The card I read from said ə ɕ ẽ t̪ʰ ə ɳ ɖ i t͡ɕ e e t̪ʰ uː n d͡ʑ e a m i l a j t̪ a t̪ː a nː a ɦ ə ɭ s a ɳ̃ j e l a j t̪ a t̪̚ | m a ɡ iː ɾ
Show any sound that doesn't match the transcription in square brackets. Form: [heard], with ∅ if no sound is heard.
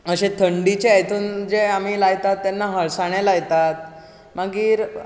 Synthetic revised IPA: ə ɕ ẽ t̪ʰ ə ɳ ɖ i t͡ɕ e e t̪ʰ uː n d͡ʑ e a m i l a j t̪ a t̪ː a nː a ɦ ə ɭ s a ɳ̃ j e l a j t̪ a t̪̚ | m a ɡ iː ɾ